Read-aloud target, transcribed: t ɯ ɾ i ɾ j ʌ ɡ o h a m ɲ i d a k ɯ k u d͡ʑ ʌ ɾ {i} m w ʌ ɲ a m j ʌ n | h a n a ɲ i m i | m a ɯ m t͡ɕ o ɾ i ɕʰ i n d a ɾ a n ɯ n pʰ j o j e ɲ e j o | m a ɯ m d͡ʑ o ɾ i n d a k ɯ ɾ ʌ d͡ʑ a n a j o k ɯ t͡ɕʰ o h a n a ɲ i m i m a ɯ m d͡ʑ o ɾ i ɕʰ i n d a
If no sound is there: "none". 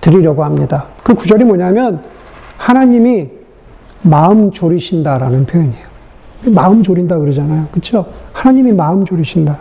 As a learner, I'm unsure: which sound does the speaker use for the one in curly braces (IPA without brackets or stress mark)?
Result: i